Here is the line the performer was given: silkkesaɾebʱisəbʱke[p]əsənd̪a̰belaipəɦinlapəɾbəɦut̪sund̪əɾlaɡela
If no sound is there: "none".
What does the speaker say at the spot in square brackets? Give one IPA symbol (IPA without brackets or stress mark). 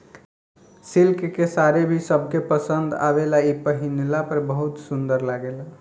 p